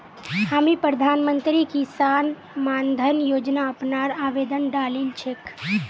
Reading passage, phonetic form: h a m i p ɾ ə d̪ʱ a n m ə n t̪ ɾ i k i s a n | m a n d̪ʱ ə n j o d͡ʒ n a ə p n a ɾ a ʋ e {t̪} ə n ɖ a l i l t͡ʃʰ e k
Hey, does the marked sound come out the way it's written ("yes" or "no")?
no